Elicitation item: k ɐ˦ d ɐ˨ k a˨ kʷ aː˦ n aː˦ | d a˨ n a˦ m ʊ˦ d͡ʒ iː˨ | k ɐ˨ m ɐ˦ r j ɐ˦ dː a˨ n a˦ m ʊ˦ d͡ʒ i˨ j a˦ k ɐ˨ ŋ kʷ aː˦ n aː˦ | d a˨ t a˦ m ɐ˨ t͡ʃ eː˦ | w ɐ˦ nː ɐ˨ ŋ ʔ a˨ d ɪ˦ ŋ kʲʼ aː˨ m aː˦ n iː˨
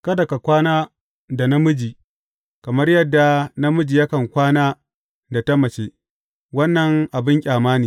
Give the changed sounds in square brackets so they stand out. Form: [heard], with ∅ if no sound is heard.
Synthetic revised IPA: k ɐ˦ d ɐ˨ k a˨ kʷ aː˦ n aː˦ | d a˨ n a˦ m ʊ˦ d͡ʒ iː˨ | k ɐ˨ m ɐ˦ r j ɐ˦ dː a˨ n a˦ m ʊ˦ d͡ʒ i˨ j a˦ k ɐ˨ ŋ kʷ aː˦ n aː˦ | d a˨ t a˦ m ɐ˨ t͡ʃ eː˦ | w ɐ˦ nː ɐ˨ ŋ ʔ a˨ [b] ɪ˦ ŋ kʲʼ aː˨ m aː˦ n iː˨